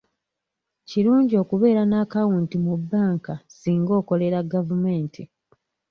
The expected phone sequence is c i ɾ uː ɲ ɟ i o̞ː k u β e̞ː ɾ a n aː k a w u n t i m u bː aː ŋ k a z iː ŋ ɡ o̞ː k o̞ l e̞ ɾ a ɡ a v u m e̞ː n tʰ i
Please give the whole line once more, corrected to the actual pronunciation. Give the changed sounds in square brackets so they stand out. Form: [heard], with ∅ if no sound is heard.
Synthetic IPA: c i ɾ uː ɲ ɟ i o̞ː k u β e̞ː ɾ a n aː k a w u n t i m u bː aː ŋ k a [s] iː ŋ ɡ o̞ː k o̞ l e̞ ɾ a ɡ a v u m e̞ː n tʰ i